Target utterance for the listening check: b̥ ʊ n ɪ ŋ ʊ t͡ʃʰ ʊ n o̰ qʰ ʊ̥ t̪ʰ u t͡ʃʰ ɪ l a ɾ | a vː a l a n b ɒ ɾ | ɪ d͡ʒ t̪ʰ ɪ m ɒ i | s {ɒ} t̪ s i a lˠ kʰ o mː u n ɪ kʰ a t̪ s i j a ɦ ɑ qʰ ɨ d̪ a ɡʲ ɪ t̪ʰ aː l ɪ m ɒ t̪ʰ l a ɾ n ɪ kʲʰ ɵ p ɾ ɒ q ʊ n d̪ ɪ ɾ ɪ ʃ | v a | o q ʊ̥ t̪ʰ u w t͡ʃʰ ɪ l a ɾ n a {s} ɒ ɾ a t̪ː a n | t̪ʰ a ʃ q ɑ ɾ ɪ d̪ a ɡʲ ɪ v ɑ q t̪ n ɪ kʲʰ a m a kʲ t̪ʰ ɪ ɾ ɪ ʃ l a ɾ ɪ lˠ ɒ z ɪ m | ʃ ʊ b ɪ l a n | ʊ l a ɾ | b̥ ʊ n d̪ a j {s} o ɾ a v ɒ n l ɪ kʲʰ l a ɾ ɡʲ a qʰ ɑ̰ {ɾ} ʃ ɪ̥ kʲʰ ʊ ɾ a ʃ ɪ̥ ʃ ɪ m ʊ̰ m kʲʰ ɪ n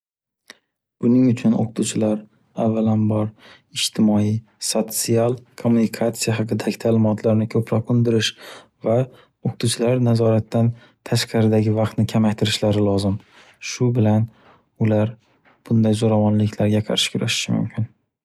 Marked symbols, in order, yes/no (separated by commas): no, no, no, yes